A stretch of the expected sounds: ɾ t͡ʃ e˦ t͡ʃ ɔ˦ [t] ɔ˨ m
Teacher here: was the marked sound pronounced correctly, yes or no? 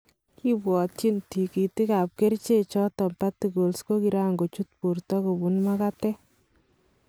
yes